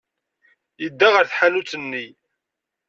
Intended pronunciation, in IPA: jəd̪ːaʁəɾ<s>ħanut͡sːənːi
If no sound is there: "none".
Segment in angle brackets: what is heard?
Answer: θ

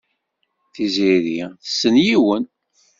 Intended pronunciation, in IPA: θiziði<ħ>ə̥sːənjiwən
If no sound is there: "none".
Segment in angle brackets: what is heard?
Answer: θ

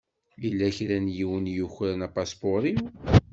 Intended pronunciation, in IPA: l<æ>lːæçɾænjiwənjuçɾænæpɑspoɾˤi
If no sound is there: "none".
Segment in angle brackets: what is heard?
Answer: i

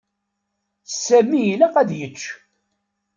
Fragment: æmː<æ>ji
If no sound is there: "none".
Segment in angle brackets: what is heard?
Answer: i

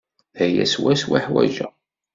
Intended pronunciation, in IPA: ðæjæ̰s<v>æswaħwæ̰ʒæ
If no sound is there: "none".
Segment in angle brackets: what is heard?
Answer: w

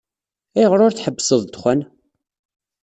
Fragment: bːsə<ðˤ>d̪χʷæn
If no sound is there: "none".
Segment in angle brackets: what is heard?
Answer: ðˤ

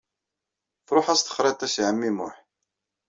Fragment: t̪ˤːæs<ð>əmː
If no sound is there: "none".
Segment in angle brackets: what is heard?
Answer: ʕ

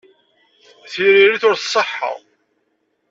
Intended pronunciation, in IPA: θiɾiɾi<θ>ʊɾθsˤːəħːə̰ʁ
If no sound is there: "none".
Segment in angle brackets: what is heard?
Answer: θ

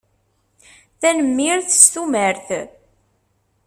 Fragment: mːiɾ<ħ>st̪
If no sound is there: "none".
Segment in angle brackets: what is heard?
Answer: θ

